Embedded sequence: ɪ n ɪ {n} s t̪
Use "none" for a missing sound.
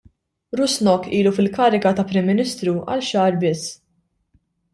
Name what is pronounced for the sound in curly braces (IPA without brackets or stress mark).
none